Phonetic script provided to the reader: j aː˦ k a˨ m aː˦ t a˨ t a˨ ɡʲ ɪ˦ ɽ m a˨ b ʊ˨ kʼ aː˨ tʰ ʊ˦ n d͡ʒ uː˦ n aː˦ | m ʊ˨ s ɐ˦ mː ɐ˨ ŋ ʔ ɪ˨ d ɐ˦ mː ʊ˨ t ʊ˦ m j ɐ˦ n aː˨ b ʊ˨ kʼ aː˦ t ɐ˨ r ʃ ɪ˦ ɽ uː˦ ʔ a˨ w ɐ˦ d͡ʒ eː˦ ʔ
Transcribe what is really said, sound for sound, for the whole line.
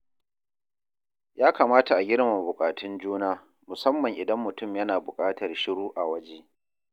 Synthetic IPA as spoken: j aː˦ k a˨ m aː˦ t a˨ ʔ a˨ ɡʲ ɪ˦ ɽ m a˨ b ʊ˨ kʼ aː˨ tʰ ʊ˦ n d͡ʒ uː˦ n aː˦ | m ʊ˨ s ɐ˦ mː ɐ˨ ŋ ʔ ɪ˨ d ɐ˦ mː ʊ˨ t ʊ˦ m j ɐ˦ n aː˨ b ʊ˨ kʼ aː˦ t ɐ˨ r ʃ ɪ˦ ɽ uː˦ ʔ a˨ w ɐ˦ d͡ʒ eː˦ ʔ

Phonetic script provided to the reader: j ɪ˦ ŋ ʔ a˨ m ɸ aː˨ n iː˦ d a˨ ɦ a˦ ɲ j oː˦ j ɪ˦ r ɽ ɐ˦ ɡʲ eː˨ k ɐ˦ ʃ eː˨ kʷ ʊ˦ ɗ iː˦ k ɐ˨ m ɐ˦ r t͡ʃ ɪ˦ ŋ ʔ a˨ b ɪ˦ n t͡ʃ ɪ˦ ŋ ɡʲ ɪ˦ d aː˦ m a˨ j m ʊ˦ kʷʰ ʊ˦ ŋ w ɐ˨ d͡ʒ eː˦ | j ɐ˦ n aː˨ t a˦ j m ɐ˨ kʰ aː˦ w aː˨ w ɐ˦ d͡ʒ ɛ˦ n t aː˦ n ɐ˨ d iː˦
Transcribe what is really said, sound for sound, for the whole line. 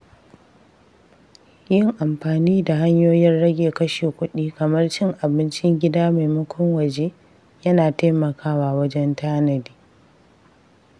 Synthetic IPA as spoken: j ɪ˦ ŋ ʔ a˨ m ɸ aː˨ n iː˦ d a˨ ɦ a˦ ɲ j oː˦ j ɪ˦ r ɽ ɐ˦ ɡʲ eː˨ k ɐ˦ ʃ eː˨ kʷ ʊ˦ ɗ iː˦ k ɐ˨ m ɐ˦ r t͡ʃ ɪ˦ ŋ ʔ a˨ b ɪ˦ n t͡ʃ ɪ˦ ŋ ɡʲ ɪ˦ d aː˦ m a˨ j m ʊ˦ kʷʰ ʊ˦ ŋ w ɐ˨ d͡ʒ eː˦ | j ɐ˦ n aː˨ t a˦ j m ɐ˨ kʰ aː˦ w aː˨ w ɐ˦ d͡ʒ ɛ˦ n t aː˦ n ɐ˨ d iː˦

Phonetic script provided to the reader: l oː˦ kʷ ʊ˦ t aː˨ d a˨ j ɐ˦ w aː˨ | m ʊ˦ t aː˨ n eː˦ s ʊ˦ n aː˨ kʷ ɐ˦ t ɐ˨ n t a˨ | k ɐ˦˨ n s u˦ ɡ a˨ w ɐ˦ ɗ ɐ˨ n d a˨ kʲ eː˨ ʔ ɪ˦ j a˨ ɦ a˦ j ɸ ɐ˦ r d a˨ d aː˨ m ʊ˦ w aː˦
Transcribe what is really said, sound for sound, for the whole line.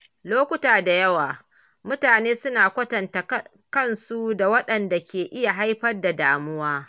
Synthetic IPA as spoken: l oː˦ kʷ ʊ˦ t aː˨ d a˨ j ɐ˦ w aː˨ | m ʊ˦ t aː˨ n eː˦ s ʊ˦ n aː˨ kʷ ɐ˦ t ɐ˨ n t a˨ | k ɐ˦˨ n s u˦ d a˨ w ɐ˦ ɗ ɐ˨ n d a˨ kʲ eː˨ ʔ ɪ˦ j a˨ ɦ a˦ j ɸ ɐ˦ r d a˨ d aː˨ m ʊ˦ w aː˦

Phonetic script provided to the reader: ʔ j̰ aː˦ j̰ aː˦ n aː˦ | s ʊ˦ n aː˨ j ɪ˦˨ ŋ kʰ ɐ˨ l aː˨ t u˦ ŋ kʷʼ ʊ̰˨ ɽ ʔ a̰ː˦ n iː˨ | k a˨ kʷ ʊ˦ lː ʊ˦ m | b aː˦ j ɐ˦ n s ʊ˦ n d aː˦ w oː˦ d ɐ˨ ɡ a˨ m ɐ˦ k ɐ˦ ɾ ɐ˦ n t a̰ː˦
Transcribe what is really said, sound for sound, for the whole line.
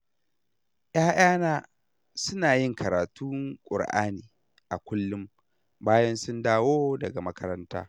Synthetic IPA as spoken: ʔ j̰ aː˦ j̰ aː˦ n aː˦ | s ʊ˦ n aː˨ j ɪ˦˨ ŋ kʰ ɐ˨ ɾ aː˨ t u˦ ŋ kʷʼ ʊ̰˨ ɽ ʔ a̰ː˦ n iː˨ | ʔ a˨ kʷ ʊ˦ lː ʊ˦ m | b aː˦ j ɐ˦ n s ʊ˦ n d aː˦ w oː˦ d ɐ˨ ɡ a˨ m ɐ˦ k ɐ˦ ɾ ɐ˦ n t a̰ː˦

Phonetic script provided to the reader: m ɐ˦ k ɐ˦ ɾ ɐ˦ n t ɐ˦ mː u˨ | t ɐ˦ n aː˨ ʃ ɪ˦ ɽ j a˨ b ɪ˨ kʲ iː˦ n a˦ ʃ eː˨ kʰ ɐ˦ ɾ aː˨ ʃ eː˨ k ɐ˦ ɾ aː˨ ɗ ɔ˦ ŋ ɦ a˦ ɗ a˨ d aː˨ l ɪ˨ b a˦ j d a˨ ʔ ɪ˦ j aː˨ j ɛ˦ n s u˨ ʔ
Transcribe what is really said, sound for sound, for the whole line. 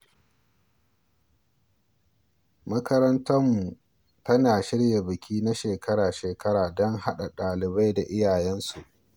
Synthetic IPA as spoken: m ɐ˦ k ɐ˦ ɾ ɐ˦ n t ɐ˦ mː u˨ | t ɐ˦ n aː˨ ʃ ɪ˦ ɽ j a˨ b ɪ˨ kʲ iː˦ n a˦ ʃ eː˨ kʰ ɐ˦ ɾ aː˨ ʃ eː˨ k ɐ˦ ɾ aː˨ d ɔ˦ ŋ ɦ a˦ ɗ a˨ ɗ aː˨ l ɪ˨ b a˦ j d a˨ ʔ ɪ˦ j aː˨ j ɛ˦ n s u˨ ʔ

